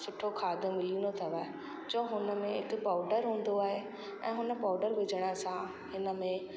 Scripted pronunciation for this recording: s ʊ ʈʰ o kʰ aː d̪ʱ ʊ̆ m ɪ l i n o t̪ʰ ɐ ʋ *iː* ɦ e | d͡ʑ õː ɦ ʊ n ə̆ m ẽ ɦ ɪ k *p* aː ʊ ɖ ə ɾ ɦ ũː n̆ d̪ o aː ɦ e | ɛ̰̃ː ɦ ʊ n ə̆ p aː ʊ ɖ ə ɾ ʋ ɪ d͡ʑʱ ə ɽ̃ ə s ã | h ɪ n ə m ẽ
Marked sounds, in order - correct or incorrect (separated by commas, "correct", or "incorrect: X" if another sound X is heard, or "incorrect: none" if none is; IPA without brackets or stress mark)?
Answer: incorrect: aː, correct